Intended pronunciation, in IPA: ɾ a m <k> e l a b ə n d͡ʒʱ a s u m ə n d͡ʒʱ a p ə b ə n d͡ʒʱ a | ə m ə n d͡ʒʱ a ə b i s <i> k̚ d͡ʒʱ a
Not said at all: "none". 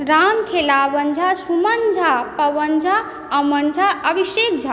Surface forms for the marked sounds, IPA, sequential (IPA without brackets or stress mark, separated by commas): kʰ, e